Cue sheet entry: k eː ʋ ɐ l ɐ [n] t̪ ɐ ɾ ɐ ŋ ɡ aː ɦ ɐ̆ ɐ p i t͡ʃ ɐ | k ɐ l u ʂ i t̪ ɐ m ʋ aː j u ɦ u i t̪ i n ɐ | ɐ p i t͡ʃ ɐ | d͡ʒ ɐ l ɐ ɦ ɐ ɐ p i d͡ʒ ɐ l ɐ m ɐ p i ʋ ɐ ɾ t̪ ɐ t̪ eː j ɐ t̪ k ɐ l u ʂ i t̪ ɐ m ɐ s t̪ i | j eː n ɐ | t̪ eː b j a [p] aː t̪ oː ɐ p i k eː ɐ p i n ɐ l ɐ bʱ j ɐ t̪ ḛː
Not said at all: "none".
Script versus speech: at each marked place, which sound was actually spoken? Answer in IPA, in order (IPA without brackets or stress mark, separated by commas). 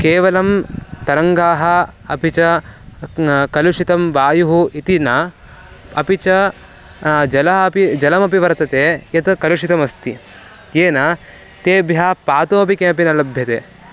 m, p